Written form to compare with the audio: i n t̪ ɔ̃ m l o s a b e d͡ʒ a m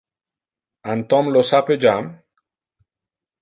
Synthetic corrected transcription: a n t̪ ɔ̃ m l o s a p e d͡ʒ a m